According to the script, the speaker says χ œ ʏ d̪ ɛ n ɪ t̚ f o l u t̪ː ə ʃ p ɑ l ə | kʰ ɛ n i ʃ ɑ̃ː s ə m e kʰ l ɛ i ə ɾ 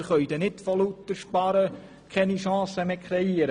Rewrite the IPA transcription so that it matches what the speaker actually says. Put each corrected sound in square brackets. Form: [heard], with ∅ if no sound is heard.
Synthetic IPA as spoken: χ œ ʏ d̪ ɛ n ɪ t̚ f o l u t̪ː ə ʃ p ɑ [ɾ] ə | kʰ ɛ n i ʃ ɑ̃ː s ə m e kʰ [ɾ] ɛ i ə ɾ